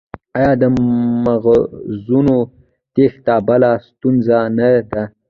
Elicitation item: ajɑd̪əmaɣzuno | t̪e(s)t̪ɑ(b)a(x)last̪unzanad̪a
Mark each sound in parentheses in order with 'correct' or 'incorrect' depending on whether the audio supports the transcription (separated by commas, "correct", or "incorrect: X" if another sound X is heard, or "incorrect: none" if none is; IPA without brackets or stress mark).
incorrect: x, correct, incorrect: none